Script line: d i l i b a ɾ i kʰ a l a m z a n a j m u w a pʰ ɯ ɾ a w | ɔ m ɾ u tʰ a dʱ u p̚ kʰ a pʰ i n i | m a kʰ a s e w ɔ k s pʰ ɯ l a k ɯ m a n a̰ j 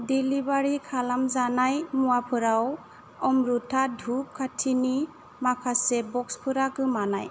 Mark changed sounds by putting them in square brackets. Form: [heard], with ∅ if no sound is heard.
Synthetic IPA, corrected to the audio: d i l i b a ɾ i kʰ a l a m z a n a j m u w a pʰ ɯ ɾ a w | ɔ m ɾ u tʰ a dʱ u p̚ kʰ a [tʰ] i n i | m a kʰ a s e [b] ɔ k s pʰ ɯ [ɾ] a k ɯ m a n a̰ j